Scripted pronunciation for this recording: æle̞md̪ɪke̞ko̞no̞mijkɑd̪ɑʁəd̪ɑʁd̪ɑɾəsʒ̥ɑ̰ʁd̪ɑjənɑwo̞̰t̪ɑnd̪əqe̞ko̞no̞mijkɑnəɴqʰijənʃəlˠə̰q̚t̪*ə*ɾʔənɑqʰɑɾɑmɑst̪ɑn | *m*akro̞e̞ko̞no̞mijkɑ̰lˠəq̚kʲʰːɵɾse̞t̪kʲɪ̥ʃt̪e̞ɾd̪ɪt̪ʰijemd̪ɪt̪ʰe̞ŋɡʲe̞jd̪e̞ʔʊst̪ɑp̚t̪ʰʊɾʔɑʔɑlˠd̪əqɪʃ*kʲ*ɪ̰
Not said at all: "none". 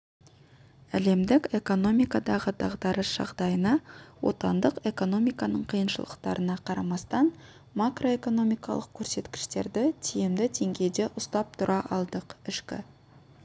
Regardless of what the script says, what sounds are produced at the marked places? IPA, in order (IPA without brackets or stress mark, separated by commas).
ɑ, m, kʲ